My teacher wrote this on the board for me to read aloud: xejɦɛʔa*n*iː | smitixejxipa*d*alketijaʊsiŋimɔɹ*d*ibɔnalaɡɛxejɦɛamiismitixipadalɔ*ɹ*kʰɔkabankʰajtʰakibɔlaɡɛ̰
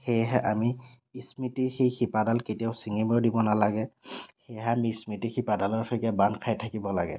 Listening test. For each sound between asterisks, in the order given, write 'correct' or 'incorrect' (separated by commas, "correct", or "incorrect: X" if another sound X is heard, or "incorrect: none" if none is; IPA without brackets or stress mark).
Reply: incorrect: m, correct, correct, correct